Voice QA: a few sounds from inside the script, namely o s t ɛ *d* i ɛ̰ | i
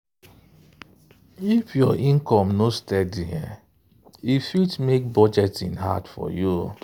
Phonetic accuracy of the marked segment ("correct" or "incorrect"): correct